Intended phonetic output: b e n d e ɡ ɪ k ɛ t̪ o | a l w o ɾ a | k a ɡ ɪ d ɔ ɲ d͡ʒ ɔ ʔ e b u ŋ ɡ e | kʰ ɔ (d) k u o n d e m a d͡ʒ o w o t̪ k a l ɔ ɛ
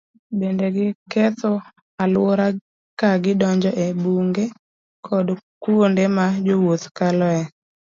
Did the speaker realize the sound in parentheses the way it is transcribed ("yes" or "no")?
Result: yes